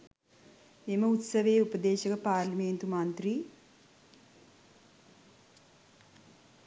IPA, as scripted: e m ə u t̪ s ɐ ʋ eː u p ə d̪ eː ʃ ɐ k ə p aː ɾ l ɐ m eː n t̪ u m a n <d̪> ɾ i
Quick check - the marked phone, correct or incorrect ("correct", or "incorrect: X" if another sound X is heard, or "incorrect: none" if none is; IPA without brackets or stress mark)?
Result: incorrect: t̪